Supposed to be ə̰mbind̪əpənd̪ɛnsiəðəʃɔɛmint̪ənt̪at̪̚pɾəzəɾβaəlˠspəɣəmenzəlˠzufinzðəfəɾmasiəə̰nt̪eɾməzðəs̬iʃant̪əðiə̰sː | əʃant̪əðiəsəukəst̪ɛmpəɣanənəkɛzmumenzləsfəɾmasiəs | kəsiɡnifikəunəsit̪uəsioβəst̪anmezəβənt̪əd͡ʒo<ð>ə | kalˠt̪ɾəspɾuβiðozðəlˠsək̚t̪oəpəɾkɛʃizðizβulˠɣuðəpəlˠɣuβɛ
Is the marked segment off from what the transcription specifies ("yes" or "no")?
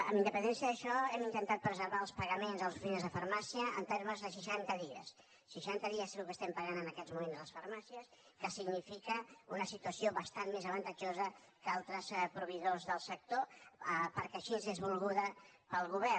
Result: yes